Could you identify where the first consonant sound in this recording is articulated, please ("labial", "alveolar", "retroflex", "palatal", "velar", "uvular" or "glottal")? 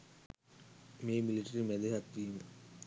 labial